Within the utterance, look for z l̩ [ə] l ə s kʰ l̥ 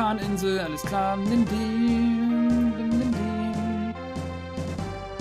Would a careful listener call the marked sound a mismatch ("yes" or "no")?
yes